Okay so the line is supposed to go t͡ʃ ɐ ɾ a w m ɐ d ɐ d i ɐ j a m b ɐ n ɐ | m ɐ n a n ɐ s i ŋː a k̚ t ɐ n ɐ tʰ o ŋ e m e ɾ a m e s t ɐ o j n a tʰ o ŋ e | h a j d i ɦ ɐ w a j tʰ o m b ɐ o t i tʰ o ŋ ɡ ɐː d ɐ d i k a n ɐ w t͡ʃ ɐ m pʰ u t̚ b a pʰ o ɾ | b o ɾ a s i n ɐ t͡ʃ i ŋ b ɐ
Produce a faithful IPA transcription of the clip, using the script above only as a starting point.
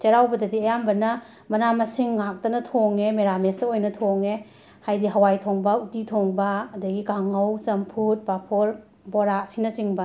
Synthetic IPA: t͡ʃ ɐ ɾ a w b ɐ d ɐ d i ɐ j a m b ɐ n ɐ | m ɐ n a m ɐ s i ŋː a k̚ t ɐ n ɐ tʰ o ŋ e m e ɾ a m e s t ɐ o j n ɐ tʰ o ŋ e | h a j d i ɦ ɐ w a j tʰ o ŋ b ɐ u t i tʰ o ŋ b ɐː d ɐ ɡ i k a ŋ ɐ w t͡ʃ ɐ m pʰ u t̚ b a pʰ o ɾ | b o ɾ a s i n ɐ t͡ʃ i ŋ b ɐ